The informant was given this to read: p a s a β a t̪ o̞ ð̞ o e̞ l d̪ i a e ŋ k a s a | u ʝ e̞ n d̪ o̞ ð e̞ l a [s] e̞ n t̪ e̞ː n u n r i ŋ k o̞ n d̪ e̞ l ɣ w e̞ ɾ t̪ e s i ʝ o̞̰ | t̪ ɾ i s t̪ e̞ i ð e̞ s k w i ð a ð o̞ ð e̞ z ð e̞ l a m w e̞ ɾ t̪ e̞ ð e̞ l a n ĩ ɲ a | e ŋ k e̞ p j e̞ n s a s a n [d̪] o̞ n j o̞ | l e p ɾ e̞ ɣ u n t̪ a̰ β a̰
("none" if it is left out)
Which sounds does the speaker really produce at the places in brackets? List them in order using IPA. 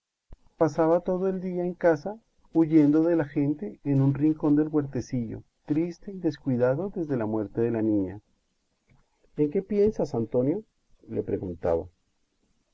x, t̪

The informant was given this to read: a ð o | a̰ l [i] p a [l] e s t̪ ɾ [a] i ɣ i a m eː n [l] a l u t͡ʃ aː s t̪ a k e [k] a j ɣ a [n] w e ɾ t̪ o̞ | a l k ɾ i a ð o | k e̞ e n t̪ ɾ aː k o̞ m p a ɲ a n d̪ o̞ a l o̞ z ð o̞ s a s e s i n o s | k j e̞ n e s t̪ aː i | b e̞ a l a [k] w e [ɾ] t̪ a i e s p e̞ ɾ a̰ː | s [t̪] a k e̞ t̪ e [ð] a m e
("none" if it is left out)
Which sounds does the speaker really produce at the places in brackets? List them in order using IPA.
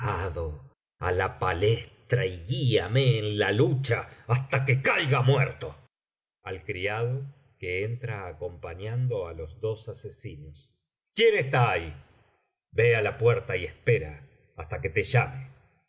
a, l, a, l, k, m, p, ɾ, t̪, ʒ

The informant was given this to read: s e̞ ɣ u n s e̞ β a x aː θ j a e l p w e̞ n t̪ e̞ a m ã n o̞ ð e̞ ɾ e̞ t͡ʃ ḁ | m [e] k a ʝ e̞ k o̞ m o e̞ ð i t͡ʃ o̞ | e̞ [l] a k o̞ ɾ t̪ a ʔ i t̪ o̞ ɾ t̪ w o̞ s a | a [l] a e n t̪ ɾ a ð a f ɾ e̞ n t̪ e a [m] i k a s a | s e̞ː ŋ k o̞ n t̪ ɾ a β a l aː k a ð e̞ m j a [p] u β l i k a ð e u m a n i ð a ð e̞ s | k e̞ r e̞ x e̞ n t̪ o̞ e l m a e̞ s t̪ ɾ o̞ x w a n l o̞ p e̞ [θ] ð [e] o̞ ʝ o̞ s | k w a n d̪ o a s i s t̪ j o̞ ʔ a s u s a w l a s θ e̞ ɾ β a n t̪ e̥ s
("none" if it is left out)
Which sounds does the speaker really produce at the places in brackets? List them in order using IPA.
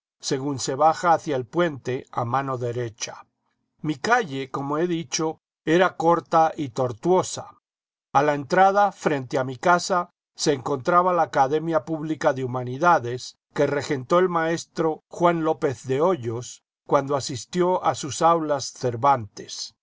i, ɾ, l, m, p, θ, e

